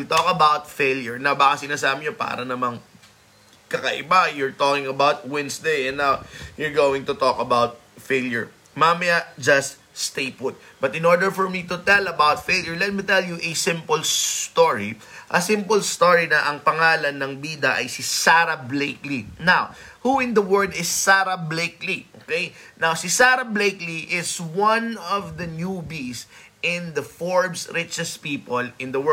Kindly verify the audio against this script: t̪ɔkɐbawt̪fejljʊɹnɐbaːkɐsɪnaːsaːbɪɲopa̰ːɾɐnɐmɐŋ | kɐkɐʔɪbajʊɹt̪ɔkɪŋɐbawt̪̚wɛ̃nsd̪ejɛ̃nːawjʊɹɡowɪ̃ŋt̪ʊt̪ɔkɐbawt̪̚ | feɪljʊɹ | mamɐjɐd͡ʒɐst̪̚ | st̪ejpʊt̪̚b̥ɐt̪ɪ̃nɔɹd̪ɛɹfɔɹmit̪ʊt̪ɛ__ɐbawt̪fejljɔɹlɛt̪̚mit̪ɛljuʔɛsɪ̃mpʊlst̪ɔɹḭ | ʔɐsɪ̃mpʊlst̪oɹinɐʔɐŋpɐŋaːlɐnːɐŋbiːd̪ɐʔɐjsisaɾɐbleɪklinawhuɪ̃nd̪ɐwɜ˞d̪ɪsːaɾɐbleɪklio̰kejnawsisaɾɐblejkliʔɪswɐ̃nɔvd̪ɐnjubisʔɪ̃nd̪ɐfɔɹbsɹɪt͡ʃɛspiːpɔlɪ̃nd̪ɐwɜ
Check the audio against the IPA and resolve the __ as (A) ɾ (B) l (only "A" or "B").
B